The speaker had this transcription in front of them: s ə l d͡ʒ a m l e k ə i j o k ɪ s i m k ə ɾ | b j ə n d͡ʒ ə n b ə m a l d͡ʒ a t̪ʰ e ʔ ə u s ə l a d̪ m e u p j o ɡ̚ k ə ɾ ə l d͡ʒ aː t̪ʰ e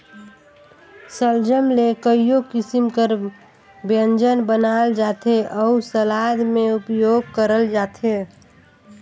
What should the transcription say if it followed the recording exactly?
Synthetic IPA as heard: s ə l d͡ʒ ə m l e k ə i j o k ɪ s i m k ə ɾ | b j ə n d͡ʒ ə n b ə n a l d͡ʒ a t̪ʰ e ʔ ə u s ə l a d̪ m e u p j o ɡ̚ k ə ɾ ə l d͡ʒ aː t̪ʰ e